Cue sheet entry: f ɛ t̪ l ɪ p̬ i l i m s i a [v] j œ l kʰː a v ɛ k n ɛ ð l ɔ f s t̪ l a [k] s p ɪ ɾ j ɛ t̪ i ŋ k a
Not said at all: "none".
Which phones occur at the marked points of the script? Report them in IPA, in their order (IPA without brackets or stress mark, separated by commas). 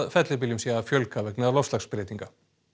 f, k